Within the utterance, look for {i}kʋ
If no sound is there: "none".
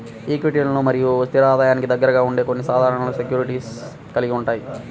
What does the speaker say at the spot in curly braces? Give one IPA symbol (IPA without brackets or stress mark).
iː